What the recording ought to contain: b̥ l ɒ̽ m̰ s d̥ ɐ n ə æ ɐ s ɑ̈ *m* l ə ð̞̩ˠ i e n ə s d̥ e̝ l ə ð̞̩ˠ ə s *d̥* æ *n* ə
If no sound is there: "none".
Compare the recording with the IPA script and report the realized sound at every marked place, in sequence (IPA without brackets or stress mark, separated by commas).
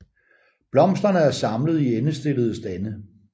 m, d̥, n